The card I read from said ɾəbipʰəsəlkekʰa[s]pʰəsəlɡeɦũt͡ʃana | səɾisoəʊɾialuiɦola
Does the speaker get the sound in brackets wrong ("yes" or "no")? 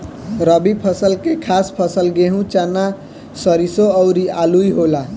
no